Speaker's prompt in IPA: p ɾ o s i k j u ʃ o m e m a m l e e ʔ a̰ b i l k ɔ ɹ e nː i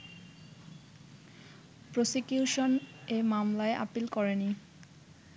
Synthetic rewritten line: p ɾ o s i k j u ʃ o n e m a m l a e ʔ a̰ p i l k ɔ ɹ e n i